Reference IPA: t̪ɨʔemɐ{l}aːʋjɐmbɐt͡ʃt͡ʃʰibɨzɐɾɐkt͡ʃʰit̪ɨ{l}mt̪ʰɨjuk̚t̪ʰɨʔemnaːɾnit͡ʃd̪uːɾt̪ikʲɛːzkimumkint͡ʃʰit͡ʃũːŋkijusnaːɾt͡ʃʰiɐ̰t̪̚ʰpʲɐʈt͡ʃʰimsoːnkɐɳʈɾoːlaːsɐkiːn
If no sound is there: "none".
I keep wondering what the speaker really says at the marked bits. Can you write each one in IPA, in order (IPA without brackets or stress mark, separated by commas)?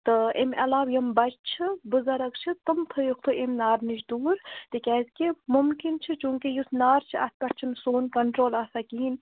l, none